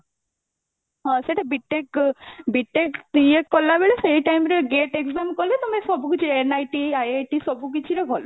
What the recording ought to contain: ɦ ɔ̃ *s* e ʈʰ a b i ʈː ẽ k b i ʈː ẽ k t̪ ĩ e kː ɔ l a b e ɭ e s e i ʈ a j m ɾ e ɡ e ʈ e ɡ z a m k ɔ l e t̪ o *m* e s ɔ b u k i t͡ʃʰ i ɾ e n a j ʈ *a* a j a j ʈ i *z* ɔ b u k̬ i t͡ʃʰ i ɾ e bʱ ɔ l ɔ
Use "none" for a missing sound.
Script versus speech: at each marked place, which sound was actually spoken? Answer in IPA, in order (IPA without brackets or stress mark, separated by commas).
s, m, i, s